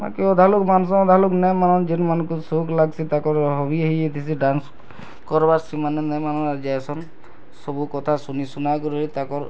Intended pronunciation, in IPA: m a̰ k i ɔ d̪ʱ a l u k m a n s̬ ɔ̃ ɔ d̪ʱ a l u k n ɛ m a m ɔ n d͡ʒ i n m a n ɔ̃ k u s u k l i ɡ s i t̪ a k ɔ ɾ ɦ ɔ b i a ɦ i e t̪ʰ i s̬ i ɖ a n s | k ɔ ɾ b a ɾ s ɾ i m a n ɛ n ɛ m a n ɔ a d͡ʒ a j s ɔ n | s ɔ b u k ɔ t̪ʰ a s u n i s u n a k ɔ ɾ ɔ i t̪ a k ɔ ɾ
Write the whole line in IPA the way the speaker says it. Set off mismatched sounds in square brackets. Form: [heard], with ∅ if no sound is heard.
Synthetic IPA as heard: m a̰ k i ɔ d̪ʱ a l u k m a n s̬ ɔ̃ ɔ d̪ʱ a l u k n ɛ m a [n] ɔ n d͡ʒ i n m a n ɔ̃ k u s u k l [a] ɡ s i t̪ a k ɔ ɾ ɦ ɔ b i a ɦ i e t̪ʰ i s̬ i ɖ a n s | k ɔ ɾ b a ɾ s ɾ i m a n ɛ n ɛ m a n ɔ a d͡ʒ a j s ɔ n | s ɔ b u k ɔ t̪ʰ a s u n i s u n a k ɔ ɾ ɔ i t̪ a k ɔ ɾ